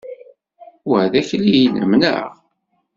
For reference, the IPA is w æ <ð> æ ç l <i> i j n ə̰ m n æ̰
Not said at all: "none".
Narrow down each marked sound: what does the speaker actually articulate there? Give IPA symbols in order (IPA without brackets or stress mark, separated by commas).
ð, i